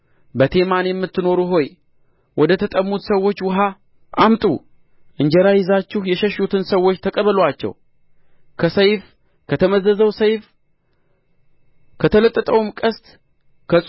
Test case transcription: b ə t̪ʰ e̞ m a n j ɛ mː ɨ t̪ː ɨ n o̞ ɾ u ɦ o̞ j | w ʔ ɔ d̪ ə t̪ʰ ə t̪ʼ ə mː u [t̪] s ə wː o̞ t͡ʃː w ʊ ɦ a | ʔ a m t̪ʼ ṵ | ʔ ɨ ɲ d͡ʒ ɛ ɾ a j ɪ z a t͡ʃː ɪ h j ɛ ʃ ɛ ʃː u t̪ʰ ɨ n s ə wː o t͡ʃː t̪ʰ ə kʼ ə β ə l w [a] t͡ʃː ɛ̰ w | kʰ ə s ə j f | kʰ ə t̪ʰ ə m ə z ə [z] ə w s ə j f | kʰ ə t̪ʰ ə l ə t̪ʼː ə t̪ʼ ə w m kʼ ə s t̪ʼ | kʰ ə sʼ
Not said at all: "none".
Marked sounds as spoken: t̪, a, z

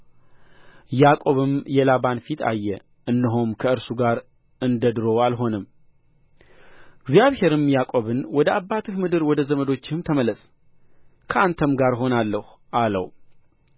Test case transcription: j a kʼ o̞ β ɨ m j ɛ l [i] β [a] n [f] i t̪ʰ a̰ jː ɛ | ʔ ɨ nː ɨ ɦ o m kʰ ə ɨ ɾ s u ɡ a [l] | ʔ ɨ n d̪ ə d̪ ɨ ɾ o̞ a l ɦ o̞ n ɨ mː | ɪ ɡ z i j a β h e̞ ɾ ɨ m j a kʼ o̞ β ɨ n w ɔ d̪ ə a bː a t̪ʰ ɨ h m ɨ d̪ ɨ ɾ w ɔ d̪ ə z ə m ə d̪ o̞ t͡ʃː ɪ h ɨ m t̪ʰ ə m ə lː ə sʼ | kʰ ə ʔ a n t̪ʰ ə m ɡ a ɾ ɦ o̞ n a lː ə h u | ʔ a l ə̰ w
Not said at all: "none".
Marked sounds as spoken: a, a, f, ɾ

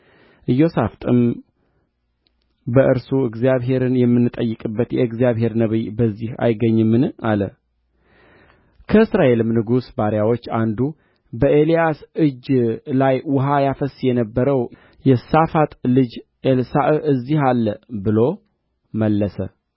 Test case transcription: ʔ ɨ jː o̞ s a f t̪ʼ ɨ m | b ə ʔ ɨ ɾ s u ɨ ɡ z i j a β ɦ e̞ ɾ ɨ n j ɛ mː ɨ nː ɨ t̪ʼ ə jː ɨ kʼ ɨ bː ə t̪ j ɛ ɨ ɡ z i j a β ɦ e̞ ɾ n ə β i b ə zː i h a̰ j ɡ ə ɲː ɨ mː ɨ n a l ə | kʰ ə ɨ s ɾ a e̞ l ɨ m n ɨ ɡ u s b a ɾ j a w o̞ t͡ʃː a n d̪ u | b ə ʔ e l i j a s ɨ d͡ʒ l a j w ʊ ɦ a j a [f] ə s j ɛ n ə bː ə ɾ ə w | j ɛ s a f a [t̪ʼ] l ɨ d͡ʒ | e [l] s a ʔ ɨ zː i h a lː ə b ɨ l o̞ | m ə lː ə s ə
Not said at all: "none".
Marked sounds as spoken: f, t̪ʼ, l

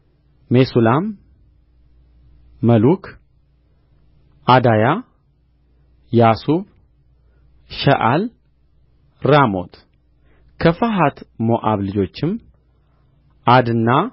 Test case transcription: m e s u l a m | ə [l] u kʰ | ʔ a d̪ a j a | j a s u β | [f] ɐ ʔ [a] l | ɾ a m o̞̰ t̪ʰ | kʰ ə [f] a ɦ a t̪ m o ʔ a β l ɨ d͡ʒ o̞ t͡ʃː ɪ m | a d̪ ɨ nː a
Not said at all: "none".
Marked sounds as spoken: l, ʃ, a, f

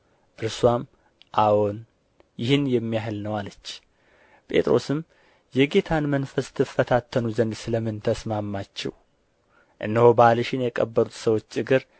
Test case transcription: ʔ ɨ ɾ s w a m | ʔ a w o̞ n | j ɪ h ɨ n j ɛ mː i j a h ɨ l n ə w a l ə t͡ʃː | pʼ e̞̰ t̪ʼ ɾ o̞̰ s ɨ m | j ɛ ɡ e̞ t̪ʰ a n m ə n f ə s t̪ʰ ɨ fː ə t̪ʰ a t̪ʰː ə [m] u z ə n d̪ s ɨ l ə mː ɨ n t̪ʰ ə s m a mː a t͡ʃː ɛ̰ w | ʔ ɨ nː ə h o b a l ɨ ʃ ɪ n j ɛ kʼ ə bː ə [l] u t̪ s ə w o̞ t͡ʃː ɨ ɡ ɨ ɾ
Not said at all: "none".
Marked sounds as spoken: n, ɾ

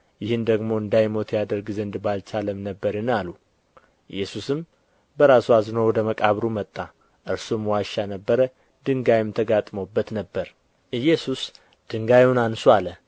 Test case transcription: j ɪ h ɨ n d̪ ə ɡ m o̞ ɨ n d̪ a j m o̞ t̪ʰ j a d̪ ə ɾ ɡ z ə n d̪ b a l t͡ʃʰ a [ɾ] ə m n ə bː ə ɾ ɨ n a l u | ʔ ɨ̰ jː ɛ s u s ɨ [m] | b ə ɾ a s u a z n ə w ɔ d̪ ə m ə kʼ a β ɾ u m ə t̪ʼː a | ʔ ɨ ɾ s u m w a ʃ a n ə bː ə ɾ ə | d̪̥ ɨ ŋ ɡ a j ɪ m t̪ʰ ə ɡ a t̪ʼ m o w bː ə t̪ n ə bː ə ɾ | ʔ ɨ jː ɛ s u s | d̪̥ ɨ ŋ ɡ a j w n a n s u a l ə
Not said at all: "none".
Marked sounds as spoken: l, m

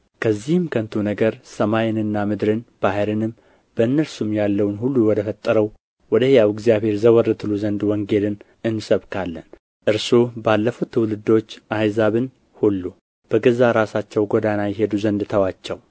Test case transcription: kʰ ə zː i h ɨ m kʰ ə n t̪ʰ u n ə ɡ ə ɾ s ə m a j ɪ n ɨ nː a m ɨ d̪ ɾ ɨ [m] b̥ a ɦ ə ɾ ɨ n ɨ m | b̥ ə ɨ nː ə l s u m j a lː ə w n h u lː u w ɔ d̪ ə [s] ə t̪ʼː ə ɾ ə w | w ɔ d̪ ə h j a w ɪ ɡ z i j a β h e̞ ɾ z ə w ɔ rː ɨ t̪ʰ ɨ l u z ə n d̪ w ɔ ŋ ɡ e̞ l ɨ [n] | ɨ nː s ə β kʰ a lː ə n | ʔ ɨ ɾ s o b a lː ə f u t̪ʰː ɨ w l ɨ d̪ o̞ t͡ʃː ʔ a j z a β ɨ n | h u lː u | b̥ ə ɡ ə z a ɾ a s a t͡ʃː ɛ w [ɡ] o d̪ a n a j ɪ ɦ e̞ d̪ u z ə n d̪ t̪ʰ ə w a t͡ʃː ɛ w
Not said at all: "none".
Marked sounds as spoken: n, f, n, ɡ

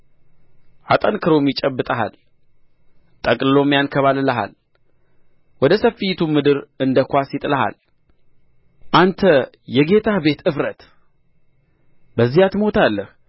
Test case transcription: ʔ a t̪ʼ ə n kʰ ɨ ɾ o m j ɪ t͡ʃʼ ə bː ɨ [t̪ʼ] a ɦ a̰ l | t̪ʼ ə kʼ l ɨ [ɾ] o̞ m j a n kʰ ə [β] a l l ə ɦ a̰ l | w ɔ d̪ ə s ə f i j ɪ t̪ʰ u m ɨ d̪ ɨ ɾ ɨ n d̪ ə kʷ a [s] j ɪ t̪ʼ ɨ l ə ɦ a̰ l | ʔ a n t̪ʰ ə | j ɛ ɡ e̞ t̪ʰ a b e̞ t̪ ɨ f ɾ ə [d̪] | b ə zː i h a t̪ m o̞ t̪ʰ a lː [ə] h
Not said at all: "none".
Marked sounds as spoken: t̪ʼ, l, β, s, t̪, ə

